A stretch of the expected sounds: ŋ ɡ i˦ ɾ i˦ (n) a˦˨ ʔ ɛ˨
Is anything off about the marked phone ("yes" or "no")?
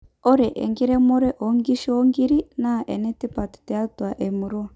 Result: no